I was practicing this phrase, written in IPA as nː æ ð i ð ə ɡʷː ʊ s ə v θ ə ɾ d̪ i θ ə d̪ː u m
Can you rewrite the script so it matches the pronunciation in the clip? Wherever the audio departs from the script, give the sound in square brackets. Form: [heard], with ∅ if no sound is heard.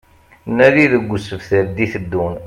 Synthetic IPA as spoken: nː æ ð i ð ə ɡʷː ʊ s ə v θ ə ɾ d̪ i θ ə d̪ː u [n]